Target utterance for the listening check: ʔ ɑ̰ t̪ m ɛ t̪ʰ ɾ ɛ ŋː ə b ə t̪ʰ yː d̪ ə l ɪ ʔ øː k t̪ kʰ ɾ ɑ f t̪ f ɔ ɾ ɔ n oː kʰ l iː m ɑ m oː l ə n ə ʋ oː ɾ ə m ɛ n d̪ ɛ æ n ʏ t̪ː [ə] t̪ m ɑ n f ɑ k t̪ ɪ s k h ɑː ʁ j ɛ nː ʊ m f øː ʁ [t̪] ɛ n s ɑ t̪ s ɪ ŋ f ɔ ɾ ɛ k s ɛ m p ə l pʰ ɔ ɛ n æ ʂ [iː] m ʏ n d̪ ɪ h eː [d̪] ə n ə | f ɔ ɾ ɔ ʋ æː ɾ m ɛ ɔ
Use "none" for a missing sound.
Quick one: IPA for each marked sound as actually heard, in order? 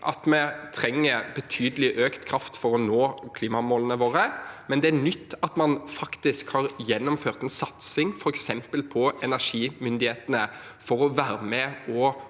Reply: ɑ, t̪, iː, t̪

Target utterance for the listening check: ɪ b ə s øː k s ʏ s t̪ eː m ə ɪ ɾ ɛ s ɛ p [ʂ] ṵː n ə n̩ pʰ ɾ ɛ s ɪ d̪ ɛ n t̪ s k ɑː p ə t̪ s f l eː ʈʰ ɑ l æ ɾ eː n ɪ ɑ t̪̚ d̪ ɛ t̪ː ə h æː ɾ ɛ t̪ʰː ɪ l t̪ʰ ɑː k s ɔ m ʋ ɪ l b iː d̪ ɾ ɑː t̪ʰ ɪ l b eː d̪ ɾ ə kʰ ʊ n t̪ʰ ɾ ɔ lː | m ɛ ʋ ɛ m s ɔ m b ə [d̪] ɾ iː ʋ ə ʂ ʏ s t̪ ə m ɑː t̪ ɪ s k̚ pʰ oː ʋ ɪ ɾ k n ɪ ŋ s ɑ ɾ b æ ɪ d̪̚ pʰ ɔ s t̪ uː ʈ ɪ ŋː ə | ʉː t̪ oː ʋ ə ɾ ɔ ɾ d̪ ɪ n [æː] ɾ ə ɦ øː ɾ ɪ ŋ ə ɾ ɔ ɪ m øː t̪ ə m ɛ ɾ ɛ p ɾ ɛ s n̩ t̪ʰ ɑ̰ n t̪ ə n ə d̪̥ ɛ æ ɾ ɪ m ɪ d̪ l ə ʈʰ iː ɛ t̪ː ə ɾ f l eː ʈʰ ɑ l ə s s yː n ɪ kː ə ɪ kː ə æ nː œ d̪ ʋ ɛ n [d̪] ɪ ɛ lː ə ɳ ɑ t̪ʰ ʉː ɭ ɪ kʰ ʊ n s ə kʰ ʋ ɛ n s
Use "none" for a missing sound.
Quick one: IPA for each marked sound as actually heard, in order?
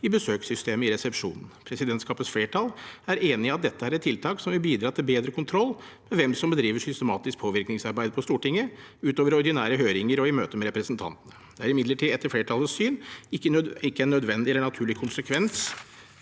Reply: ʂ, d̪, æː, d̪

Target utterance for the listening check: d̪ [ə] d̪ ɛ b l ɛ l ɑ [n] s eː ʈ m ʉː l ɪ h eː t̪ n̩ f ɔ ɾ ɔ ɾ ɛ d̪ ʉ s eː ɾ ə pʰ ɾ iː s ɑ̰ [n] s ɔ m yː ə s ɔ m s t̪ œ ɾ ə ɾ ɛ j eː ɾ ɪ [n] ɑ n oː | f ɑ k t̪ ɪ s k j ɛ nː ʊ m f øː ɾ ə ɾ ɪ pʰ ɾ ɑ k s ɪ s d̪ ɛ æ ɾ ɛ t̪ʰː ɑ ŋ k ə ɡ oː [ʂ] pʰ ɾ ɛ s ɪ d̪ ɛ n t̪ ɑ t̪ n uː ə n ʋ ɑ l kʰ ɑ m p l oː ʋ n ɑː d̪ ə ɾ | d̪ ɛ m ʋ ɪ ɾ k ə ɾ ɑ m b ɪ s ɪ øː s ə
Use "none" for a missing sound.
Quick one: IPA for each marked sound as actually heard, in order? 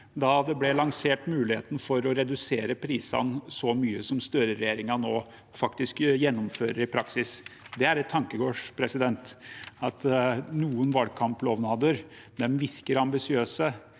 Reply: ɑ, ŋ, n, ŋ, ʂ

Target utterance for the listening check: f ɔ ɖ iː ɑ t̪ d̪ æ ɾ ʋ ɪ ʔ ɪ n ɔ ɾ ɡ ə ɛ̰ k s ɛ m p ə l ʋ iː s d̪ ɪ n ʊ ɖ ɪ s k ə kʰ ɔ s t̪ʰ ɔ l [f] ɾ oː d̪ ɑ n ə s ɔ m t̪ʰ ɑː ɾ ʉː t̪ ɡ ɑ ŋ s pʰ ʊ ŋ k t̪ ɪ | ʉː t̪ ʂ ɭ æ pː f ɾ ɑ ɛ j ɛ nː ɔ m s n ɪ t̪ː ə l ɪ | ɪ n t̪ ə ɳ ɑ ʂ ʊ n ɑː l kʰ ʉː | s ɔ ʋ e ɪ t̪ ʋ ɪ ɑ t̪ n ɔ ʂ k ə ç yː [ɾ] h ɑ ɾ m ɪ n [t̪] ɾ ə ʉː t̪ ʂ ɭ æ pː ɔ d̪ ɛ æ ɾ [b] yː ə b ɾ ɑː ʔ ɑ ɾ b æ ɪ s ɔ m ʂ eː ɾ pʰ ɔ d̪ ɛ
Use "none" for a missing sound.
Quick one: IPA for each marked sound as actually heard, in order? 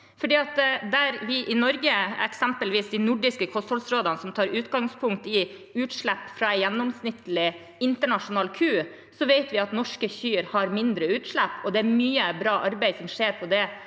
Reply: s, ɾ, d̪, m

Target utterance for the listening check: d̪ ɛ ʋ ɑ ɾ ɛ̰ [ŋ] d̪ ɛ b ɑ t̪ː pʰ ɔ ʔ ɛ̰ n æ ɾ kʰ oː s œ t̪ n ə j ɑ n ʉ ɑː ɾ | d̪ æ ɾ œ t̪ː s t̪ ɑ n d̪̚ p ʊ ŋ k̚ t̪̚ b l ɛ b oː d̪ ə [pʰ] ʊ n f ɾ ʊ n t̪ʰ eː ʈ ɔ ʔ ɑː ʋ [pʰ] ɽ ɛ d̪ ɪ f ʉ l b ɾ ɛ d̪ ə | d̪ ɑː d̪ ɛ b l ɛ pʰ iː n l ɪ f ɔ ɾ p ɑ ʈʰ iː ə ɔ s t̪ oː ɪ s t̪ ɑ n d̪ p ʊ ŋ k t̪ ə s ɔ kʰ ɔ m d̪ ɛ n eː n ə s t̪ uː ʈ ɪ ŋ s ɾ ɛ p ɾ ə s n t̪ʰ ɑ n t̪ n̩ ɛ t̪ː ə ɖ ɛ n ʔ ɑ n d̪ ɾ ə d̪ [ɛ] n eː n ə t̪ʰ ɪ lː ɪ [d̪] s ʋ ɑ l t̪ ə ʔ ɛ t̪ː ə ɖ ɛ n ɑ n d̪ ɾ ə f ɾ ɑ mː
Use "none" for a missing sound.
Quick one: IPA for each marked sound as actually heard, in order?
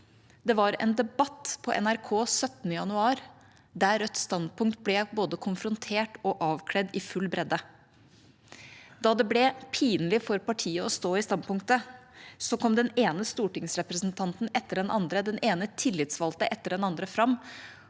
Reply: n, kʰ, kʰ, ɛ, t̪

